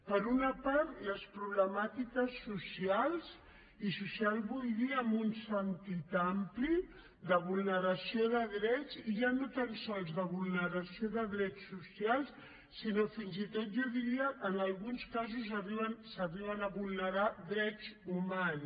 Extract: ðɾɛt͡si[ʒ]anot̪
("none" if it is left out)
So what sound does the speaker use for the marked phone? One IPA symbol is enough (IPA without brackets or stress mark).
ʒ